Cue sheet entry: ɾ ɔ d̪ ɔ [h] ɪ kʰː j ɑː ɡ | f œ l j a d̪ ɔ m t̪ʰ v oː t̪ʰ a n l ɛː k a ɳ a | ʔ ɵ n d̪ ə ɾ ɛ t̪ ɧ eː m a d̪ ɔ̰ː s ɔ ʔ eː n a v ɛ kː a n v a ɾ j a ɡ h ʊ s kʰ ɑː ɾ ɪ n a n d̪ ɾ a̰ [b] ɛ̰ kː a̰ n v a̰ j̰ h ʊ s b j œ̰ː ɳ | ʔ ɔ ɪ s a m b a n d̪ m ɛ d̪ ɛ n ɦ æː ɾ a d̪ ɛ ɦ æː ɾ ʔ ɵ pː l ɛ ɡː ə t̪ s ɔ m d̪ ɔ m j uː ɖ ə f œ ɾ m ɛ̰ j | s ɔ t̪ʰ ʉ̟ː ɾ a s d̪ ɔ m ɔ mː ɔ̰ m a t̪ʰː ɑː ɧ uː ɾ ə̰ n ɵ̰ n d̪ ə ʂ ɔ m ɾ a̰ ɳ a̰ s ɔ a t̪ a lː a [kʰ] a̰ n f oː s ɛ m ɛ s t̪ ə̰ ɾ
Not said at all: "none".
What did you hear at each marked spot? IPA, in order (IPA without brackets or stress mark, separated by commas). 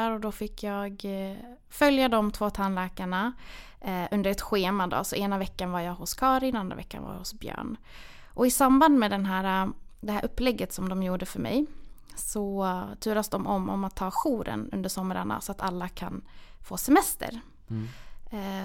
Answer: f, v, kʰ